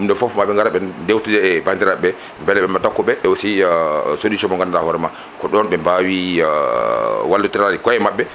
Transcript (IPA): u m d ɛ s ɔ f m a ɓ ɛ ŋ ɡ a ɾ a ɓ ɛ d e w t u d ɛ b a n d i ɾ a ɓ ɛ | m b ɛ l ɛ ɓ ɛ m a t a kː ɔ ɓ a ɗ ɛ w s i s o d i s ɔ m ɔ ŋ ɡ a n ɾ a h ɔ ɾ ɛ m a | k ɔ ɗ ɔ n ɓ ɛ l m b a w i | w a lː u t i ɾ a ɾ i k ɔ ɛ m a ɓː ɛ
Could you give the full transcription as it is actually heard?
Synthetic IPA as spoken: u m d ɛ f ɔ f m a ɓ ɛ ŋ ɡ a ɾ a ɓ ɛ d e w t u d ɛ b a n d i ɾ a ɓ ɛ | m b ɛ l ɛ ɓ ɛ m a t a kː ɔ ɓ ɛ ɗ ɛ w s i s o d i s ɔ m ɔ ŋ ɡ a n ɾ a h ɔ ɾ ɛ m a | k ɔ ɗ ɔ n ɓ ɛ m b a w i | w a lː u t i ɾ a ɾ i k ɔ ɛ m a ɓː ɛ